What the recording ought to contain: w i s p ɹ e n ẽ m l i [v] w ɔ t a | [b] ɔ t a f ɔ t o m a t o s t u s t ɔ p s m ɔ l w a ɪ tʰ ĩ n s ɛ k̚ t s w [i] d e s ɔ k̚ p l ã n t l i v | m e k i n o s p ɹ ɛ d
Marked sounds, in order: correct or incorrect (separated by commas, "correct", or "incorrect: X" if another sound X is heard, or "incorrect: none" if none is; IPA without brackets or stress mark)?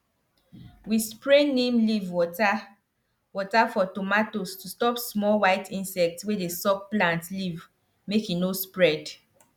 correct, incorrect: w, incorrect: e